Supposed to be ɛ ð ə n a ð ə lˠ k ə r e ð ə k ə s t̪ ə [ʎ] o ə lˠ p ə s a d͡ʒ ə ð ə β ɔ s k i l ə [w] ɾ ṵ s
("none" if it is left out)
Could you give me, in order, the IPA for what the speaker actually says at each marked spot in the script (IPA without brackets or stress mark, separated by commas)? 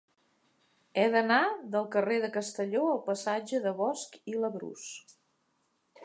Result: ʎ, β